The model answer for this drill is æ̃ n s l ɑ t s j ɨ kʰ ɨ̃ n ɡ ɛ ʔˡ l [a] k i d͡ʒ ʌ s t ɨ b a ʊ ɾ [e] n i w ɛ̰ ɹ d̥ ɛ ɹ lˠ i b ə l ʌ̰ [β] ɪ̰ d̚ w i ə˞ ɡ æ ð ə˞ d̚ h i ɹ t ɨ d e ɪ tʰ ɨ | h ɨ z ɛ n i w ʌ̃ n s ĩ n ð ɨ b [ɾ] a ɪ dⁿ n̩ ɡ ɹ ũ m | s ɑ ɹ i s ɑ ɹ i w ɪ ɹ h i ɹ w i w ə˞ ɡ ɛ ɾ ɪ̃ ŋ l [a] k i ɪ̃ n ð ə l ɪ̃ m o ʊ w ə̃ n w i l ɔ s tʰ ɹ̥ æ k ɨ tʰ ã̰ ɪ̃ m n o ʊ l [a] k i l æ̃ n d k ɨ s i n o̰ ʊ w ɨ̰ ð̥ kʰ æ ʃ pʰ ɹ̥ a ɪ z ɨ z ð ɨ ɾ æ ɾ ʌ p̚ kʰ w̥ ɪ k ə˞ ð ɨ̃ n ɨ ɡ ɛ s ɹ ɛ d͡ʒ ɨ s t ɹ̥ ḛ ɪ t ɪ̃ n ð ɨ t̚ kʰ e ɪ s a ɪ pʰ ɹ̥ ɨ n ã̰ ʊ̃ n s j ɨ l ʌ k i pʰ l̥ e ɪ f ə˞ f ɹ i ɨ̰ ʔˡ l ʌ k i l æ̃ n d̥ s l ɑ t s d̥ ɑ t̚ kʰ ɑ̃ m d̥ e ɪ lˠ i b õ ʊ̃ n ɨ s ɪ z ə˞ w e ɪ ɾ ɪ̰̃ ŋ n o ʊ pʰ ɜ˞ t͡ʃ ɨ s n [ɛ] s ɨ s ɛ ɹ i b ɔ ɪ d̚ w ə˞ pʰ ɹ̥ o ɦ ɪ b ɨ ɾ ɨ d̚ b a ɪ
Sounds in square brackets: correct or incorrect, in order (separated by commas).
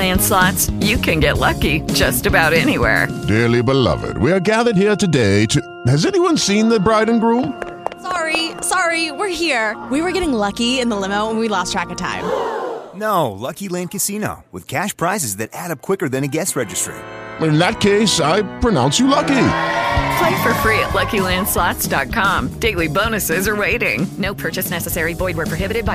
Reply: incorrect, incorrect, incorrect, incorrect, incorrect, incorrect, correct